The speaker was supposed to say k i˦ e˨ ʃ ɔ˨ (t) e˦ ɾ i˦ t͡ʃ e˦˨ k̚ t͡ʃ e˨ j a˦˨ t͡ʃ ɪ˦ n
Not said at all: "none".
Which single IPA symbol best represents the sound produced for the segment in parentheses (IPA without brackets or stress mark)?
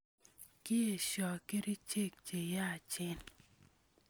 k